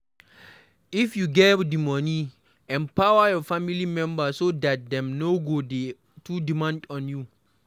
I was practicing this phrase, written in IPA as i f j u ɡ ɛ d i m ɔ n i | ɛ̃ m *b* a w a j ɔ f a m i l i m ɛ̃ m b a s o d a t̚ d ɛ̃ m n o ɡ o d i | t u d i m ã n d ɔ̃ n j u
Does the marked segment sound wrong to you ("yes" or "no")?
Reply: yes